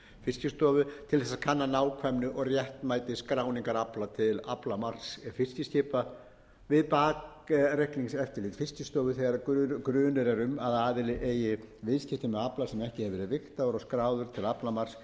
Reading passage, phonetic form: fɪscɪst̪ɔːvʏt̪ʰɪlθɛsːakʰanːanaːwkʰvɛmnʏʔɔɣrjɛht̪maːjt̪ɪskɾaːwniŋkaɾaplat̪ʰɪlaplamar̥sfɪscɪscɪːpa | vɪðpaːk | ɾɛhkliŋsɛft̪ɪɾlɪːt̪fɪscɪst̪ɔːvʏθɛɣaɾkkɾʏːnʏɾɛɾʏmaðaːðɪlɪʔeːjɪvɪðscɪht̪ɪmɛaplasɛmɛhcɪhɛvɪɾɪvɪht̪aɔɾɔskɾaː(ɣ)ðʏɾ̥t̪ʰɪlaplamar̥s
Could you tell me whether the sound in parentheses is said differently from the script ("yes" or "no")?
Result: yes